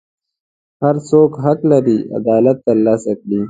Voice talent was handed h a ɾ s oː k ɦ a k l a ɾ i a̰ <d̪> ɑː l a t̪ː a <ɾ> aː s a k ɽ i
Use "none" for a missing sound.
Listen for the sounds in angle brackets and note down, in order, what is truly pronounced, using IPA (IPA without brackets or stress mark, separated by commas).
d̪, l